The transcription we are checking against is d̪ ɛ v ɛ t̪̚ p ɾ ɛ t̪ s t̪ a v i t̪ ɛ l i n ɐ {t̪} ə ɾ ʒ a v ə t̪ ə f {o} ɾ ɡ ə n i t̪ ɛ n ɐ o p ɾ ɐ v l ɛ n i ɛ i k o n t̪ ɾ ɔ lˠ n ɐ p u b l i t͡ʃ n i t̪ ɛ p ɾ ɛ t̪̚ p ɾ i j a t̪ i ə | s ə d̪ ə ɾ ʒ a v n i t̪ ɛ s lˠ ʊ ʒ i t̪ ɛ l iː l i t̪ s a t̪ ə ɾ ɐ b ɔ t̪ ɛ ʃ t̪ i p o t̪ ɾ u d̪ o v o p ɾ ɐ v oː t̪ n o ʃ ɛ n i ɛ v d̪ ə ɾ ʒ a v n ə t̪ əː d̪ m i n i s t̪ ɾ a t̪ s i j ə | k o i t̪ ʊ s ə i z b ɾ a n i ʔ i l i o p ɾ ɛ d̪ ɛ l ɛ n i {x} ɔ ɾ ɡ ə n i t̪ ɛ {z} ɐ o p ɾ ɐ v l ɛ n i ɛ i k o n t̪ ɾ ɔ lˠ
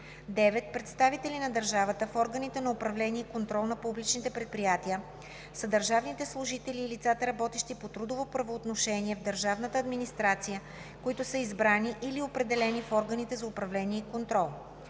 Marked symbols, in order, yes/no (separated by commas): no, no, no, yes